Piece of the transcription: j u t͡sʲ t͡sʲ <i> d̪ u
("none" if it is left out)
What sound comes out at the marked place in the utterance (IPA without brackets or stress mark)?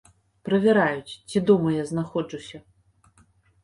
i